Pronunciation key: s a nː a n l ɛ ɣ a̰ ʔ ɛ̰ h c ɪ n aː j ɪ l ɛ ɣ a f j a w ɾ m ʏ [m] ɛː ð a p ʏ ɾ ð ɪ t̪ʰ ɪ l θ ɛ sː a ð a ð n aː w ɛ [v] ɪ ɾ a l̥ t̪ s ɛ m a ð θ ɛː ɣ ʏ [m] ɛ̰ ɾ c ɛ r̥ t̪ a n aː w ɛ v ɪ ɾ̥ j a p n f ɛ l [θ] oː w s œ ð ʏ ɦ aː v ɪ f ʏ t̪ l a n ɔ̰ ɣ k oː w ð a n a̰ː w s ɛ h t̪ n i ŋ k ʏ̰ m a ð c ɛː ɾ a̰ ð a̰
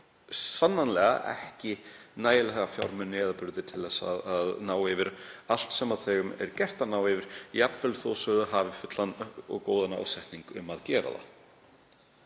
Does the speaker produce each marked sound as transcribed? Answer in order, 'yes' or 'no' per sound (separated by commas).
no, yes, yes, yes